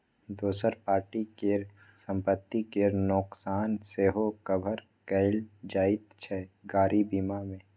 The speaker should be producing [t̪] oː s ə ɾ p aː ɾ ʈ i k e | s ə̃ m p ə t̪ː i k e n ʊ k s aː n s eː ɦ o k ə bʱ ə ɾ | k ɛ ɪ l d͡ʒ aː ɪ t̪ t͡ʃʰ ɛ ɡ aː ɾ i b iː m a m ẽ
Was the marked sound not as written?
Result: yes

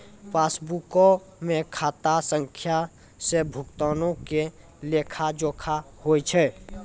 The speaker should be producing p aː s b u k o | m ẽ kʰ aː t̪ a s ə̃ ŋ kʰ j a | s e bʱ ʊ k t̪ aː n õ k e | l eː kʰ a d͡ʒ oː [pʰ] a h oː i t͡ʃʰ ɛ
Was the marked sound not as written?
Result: yes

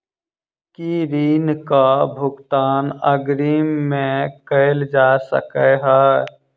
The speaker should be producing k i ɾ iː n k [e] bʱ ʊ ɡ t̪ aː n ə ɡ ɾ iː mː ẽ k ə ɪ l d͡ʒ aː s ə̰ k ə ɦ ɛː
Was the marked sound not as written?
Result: yes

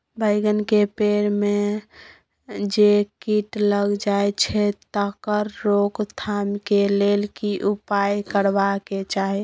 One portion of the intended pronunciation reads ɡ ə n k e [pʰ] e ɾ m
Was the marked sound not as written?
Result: yes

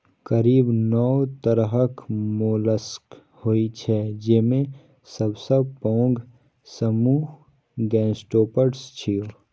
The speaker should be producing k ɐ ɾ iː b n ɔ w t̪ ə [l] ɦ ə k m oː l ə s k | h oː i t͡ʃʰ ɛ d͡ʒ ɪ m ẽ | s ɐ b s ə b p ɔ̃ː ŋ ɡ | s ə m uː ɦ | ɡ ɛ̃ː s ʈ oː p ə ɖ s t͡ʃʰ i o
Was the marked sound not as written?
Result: yes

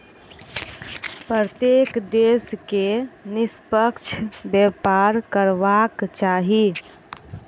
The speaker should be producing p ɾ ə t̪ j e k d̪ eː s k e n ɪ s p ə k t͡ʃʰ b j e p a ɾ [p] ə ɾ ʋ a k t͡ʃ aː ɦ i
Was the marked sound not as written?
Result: yes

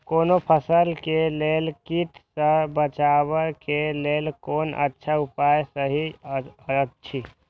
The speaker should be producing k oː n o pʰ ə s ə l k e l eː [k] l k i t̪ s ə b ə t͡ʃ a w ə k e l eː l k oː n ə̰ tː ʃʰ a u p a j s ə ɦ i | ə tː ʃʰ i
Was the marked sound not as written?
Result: yes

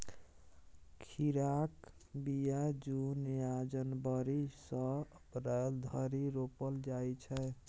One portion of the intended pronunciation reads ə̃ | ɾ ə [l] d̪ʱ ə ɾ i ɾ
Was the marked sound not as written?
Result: no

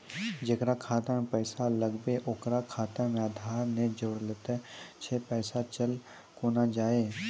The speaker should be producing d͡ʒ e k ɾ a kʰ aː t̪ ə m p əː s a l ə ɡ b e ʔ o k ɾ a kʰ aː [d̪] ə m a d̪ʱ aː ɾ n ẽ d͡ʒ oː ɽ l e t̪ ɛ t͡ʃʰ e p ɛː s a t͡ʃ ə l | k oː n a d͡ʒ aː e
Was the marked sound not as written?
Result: yes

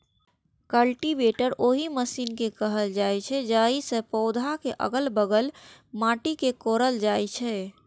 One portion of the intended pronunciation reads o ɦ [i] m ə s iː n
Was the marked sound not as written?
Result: no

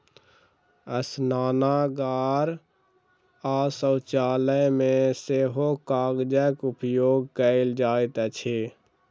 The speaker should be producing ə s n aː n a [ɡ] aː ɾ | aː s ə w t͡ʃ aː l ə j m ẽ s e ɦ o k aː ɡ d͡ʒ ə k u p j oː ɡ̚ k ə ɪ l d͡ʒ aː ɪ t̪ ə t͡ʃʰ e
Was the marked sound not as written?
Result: no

